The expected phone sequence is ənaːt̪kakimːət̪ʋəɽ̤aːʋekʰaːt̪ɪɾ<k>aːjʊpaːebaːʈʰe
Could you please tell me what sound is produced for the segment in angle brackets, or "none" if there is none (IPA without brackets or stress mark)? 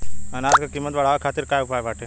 k